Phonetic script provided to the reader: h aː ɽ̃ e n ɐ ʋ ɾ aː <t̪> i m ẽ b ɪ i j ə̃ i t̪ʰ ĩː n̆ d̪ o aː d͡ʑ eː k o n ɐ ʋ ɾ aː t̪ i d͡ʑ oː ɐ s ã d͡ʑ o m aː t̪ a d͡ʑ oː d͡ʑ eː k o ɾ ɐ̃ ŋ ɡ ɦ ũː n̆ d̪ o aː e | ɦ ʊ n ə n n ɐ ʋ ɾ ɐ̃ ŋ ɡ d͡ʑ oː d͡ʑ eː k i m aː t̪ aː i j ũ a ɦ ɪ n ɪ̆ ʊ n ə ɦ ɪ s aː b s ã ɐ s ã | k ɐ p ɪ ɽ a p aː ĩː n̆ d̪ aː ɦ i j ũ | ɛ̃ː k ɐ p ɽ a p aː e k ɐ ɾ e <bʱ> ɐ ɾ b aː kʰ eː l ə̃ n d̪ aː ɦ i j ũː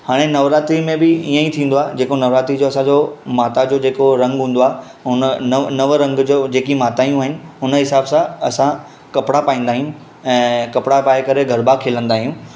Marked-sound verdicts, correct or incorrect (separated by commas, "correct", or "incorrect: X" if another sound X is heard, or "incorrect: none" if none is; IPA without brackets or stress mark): correct, incorrect: ɡʱ